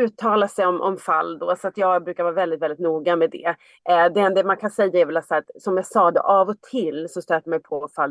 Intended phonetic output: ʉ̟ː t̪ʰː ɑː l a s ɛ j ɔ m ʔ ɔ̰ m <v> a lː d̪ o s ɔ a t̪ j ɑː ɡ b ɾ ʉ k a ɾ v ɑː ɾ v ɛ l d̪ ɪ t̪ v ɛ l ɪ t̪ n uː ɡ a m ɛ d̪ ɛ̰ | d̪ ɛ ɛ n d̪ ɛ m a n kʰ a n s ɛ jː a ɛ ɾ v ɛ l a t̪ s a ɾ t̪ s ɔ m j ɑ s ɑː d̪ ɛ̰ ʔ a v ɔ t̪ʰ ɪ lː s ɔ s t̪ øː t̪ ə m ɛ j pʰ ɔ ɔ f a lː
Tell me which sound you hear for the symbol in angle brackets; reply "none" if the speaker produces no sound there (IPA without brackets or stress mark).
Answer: f